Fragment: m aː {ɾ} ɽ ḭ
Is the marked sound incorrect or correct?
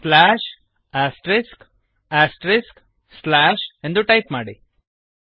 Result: incorrect